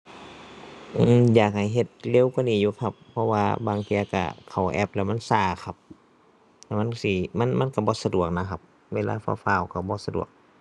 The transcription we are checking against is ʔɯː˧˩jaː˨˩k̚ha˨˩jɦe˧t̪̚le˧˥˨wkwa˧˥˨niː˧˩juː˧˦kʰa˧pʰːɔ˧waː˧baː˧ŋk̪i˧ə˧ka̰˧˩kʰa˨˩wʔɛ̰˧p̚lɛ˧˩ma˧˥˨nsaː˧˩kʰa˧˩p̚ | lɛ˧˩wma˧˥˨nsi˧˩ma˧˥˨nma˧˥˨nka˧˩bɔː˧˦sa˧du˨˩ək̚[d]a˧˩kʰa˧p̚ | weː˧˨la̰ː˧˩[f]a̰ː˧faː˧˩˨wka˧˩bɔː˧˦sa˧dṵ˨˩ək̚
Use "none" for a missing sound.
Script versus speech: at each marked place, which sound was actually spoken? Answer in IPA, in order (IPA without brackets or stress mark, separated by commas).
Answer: n, f